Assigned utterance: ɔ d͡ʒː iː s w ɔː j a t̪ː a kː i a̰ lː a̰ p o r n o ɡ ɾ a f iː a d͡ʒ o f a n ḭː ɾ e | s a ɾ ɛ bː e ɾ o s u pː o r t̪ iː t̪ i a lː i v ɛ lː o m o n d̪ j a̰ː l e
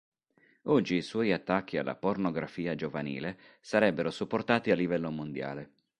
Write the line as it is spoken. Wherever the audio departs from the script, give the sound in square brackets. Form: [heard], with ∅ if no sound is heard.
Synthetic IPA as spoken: ɔ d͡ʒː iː s w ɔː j a t̪ː a kː i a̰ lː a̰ p o r n o ɡ ɾ a f iː a d͡ʒ o [v] a n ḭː [l] e | s a ɾ ɛ bː e ɾ o s u pː o r t̪ [aː] t̪ i a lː i v ɛ lː o m o n d̪ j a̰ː l e